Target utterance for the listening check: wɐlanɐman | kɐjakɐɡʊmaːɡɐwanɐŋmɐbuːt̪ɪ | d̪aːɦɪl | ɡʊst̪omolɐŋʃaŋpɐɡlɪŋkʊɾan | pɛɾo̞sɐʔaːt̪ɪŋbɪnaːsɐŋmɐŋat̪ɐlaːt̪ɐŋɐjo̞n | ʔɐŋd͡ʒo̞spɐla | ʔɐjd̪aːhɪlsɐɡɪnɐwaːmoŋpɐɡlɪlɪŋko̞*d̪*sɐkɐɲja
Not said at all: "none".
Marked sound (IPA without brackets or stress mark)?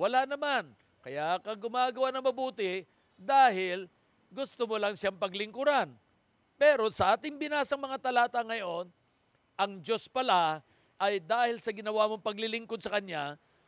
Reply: d̪